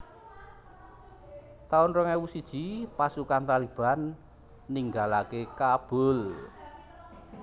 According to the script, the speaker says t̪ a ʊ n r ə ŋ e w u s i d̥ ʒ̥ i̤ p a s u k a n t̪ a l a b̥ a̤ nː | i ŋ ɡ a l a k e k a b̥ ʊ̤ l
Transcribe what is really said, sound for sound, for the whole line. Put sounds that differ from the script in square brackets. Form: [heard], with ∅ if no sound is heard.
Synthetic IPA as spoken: t̪ a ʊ n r ə ŋ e w u s i d̥ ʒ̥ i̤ p a s u k a n t̪ a l [i] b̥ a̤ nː | i ŋ ɡ a l a k e k a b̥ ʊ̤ l